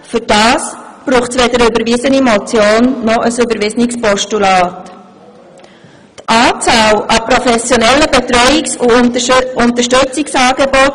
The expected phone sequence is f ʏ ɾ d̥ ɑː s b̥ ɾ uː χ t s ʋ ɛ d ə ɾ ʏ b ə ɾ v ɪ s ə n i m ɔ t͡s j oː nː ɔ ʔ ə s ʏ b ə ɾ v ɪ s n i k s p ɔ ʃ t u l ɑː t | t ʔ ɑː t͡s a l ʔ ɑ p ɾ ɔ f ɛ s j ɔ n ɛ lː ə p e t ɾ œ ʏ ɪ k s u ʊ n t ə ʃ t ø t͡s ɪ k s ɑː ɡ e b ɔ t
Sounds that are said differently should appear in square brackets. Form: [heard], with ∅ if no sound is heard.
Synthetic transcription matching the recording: f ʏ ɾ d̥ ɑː s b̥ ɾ uː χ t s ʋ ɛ d ə ɾ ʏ b ə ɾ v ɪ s ə n i m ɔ t͡s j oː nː ɔ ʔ ə s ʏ b ə ɾ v ɪ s n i k s p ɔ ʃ t u l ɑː t | t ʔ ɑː t͡s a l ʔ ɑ p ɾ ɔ f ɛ s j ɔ n ɛ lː ə [b] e t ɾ œ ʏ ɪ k s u ʊ n t ə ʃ t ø t͡s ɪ k s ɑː ɡ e b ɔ t